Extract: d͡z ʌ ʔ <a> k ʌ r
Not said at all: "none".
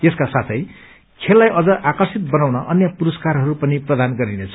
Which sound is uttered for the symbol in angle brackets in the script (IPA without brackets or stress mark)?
a